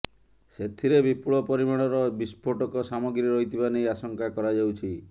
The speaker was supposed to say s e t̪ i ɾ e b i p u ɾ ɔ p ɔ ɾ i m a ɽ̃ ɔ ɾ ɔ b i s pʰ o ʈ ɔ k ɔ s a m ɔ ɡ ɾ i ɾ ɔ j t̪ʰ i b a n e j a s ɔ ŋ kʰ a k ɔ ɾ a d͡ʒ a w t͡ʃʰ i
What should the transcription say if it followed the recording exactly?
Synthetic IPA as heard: s e t̪ʰ i ɾ e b i p u ɭ ɔ p ɔ ɾ i m a ɽ̃ ɔ ɾ ɔ b i s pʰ o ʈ ɔ k ɔ s a m ɔ ɡ ɾ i ɾ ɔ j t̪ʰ i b a n e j a s ɔ ŋ k a k ɔ ɾ a d͡ʒ a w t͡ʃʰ i

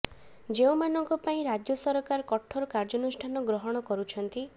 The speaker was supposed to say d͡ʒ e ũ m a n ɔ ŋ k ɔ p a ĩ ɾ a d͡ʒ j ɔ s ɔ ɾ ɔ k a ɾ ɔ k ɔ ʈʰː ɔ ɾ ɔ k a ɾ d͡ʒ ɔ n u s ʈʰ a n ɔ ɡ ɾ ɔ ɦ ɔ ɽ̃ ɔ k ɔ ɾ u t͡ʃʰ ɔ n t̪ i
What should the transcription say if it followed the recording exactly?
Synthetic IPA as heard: d͡ʒ e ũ m a n ɔ ŋ k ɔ p a ĩ ɾ a d͡ʒ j ɔ s ɔ ɾ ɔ k a ɾ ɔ k ɔ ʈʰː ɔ ɾ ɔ k a ɾ d͡ʒ ɔ n u s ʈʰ a n ɔ ɡ ɾ ɔ ɦ ɔ ɽ̃ ɔ k ɔ ɾ u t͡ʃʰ ɔ n t̪ i

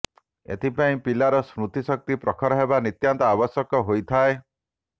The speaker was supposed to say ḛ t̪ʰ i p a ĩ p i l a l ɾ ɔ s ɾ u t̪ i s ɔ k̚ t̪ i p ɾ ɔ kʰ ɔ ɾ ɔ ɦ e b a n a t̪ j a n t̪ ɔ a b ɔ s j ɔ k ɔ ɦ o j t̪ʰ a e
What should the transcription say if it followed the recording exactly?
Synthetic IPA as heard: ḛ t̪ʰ i p a ĩ p i l a ɾ ɔ s ɾ u t̪ i s ɔ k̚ t̪ i p ɾ ɔ kʰ ɔ ɾ ɔ ɦ e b a n i t̪ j a n t̪ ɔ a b ɔ s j ɔ k ɔ ɦ o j t̪ʰ a e

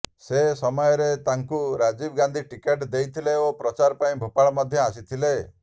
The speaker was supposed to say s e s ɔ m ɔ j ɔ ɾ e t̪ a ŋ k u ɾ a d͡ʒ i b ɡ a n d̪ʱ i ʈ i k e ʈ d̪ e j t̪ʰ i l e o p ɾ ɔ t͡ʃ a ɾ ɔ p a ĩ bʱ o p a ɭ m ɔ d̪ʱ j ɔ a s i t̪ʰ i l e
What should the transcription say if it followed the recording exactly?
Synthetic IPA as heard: s e s ɔ m ɔ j ɔ ɾ e t̪ a ŋ k u ɾ a d͡ʒ i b ɡ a n d̪ʱ i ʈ i k e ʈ d̪ e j t̪ʰ i l e o p ɾ ɔ t͡ʃ a ɾ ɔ p a ĩ bʱ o p a ɭ m ɔ d̪ʱ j ɔ a s i t̪ʰ i l e

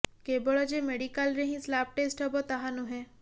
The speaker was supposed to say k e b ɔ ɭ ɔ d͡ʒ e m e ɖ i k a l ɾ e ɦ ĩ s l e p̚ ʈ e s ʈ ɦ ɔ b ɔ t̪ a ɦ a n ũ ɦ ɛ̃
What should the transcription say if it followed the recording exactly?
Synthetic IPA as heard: k e b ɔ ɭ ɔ d͡ʒ e m e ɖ i k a l ɾ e ɦ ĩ s l a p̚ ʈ e s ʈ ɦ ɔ b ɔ t̪ a ɦ a n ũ ɦ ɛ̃

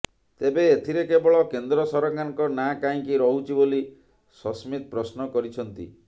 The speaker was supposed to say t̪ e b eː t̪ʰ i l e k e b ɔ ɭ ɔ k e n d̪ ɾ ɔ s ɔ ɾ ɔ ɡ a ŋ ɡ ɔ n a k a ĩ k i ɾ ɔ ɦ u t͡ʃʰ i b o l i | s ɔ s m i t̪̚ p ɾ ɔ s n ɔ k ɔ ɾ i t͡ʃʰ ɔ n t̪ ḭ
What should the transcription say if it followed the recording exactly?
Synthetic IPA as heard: t̪ e b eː t̪ʰ i ɾ e k e b ɔ ɭ ɔ k e n d̪ ɾ ɔ s ɔ ɾ ɔ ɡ a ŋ k ɔ n a k a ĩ k i ɾ ɔ ɦ u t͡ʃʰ i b o l i | s ɔ s m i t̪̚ p ɾ ɔ s n ɔ k ɔ ɾ i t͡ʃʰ ɔ n t̪ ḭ

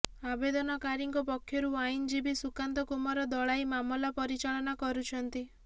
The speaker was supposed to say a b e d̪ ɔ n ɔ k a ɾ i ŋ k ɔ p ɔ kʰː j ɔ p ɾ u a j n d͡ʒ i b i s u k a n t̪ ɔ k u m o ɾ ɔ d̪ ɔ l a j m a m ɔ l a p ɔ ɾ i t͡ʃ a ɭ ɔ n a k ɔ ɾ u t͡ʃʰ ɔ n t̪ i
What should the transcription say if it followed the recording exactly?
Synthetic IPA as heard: a b e d̪ ɔ n ɔ k a ɾ i ŋ k ɔ p ɔ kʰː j ɔ ɾ u a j n d͡ʒ i b i s u k a n t̪ ɔ k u m ɔ ɾ ɔ d̪ ɔ ɭ a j m a m ɔ l a p ɔ ɾ i t͡ʃ a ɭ ɔ n a k ɔ ɾ u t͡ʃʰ ɔ n t̪ i

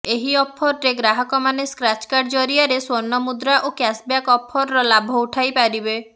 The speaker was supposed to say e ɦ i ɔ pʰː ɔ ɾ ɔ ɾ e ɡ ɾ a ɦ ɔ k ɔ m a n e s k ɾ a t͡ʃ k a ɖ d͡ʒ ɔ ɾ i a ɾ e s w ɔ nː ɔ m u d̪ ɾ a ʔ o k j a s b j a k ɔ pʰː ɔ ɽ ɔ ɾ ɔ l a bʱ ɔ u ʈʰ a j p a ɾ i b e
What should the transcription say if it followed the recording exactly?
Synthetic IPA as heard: e ɦ i ɔ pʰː ɔ ɾ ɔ ɾ e ɡ ɾ a ɦ ɔ k ɔ m a n e s k ɾ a t͡ʃ k a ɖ d͡ʒ ɔ ɾ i a ɾ e s w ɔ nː ɔ m u d̪ ɾ a ʔ o k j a s b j a k ɔ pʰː ɔ ɾ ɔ ɾ ɔ l a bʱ ɔ u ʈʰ a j p a ɾ i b e

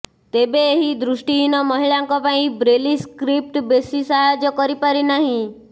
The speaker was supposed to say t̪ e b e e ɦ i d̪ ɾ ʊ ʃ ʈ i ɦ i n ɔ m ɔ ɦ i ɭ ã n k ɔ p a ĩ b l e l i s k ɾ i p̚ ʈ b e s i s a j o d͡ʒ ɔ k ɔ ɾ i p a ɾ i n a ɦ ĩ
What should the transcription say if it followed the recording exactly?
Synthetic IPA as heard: t̪ e b e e ɦ i d̪ ɾ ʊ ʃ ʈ i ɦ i n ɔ m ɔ ɦ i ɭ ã ŋ k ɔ p a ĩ b ɾ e l i s k ɾ i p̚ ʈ b e s i s a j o d͡ʒ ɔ k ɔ ɾ i p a ɾ i n a ɦ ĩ

